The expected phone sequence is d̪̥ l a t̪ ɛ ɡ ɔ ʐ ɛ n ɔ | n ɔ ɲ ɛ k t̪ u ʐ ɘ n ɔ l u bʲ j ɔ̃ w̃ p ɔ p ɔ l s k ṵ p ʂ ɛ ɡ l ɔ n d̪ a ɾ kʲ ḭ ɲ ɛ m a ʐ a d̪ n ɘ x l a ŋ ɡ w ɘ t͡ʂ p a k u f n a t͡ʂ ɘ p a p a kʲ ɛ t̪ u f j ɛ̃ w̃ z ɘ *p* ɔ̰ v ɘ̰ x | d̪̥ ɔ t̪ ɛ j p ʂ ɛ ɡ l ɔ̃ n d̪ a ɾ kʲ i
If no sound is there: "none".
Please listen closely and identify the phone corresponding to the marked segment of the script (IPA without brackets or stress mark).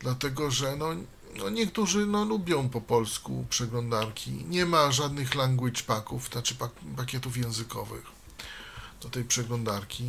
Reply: k